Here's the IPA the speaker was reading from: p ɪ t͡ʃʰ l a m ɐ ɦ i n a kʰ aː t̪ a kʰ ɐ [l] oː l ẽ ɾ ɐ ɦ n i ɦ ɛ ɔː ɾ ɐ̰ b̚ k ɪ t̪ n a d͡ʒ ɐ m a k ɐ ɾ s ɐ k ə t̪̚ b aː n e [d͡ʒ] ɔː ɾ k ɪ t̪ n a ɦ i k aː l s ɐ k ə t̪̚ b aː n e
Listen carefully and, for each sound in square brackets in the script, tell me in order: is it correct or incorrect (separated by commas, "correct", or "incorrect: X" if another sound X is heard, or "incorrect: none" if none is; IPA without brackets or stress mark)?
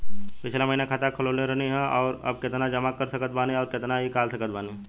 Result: correct, incorrect: none